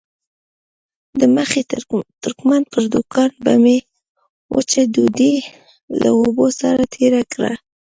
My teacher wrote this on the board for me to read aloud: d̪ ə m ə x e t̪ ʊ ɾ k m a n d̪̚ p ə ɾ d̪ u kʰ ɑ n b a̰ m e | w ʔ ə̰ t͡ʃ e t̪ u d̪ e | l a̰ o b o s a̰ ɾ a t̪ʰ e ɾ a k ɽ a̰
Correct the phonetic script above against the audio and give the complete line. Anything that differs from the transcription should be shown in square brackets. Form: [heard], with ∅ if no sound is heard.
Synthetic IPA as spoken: d̪ ə m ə x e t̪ ʊ ɾ k m a n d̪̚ p ə ɾ d̪ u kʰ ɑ n b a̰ m e | w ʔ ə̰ t͡ʃ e [d̪] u d̪ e | l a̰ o b o s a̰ ɾ a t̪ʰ e ɾ a k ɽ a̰